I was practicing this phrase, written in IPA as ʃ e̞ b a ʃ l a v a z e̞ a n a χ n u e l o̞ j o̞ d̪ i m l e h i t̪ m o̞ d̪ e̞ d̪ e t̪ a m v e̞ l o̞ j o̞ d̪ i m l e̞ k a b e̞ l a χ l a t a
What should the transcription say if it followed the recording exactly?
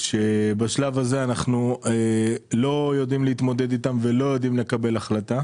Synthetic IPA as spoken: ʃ e̞ b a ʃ l a v a z e̞ a n a χ n u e l o̞ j o̞ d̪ i m l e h i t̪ m o̞ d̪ e̞ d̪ i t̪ a m v e̞ l o̞ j o̞ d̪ i m l e̞ k a b e̞ l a χ l a t a